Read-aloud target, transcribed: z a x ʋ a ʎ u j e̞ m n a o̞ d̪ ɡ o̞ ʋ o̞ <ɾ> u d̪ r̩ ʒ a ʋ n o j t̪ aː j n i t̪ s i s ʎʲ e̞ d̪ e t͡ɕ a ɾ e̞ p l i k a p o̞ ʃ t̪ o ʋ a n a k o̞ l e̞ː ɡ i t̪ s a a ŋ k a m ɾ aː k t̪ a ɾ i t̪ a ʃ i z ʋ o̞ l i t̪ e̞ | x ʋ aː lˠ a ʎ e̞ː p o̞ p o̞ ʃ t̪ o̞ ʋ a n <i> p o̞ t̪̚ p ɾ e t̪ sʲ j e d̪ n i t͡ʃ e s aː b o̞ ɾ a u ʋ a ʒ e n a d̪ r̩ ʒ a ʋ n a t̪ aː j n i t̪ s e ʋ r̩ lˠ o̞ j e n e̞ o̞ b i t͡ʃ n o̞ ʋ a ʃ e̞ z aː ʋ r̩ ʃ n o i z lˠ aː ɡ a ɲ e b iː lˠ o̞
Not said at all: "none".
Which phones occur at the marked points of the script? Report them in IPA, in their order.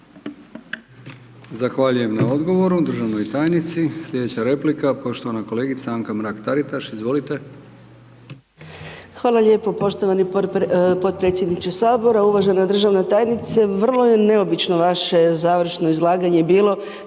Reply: ɾ, i

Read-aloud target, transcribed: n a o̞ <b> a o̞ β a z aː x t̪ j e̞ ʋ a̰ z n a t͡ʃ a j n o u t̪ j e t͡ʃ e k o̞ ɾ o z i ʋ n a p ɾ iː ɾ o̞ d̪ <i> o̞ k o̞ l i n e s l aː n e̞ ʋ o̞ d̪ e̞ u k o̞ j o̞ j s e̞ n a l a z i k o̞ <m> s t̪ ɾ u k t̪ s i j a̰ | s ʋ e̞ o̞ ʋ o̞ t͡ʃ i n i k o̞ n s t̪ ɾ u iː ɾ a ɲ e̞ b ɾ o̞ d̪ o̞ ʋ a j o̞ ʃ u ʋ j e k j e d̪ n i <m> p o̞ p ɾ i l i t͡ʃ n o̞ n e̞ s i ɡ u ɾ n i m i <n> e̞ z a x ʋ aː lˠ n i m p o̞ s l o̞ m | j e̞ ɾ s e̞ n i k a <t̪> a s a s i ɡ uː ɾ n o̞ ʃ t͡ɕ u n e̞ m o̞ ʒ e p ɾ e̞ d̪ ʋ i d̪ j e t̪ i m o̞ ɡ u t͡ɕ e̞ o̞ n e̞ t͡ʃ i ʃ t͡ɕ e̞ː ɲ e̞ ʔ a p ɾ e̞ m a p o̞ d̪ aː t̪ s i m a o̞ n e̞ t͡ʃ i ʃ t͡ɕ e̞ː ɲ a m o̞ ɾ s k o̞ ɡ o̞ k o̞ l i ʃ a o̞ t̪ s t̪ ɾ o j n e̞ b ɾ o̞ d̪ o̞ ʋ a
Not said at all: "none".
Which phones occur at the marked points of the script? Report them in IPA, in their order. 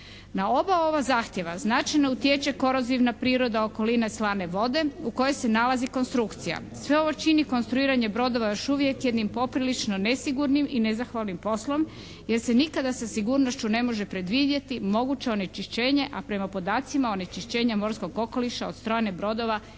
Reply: b, a, n, m, n, d̪

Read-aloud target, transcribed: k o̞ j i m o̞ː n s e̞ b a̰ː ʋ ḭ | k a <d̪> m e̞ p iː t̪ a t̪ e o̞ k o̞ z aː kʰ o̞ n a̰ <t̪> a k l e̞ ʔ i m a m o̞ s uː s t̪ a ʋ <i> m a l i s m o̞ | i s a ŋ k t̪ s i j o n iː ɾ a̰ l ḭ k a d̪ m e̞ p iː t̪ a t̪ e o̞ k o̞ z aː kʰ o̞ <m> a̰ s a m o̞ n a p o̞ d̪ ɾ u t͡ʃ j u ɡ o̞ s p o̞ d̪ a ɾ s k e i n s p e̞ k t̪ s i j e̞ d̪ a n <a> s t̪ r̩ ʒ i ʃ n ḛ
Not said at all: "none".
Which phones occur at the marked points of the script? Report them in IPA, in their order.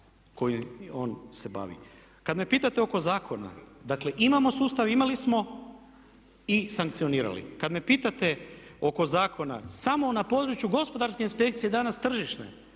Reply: d̪, d̪, i, n, a

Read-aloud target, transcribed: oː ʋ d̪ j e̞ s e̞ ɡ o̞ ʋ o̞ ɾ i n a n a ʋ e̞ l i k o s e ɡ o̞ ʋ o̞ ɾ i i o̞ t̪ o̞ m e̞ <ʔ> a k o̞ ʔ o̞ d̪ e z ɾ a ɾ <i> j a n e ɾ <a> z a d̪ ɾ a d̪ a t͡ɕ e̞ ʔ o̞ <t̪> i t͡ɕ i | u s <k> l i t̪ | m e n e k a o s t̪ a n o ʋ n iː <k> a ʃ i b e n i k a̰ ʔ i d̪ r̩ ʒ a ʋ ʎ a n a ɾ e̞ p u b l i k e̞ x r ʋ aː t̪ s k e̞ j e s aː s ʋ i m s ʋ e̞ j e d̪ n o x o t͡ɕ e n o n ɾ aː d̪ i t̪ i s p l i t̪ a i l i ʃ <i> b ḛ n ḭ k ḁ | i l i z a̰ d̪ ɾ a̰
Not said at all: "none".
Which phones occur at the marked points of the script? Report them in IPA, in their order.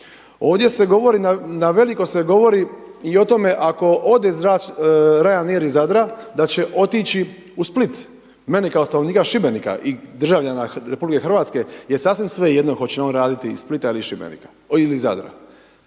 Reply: ʔ, a, i, t̪, p, k, i

